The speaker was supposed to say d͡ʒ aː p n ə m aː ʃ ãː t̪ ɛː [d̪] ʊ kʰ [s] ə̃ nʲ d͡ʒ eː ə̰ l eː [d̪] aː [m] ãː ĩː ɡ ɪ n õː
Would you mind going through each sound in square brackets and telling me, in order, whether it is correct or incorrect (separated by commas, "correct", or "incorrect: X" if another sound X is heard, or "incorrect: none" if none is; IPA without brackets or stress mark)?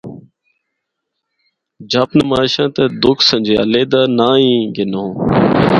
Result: correct, correct, correct, incorrect: n